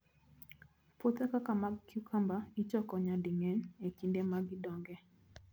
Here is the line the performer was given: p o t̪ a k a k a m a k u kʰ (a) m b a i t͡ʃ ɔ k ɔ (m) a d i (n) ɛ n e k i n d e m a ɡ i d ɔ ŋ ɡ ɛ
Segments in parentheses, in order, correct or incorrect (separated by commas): correct, incorrect, incorrect